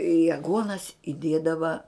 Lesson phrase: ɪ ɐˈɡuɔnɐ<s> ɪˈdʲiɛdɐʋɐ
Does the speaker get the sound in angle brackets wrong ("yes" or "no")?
no